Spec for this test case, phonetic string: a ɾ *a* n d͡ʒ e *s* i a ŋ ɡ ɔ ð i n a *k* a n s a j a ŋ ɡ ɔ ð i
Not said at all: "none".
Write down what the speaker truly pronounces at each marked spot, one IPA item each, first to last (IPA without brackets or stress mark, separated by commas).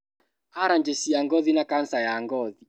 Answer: a, s, k